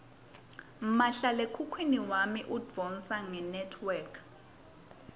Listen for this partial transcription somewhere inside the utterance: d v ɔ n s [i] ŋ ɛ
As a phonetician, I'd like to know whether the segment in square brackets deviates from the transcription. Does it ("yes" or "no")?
yes